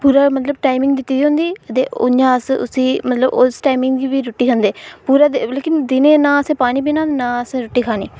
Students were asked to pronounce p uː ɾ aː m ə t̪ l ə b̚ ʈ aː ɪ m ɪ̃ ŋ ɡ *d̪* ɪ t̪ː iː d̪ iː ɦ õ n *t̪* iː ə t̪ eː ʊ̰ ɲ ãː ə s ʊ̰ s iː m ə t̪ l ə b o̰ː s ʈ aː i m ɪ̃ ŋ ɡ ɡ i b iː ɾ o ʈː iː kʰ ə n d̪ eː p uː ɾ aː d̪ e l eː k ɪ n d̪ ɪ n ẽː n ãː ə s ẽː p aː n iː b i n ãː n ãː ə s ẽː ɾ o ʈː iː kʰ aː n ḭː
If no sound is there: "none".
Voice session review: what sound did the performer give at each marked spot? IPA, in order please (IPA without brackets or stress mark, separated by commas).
d̪, d̪